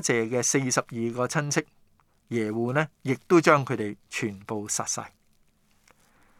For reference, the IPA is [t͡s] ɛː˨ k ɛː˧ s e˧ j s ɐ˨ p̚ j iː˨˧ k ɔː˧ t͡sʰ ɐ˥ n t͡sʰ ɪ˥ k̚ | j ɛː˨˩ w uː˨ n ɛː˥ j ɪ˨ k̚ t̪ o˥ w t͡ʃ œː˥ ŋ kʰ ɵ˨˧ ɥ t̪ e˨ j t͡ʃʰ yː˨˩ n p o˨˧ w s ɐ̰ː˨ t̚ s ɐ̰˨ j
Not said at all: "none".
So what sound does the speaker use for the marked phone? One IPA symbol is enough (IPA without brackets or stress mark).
t͡s